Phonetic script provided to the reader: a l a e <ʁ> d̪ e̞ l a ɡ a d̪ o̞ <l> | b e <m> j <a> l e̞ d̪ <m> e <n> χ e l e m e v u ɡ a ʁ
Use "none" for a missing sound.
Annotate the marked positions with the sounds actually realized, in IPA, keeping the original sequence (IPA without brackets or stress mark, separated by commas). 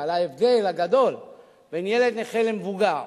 v, l, n, e, n, none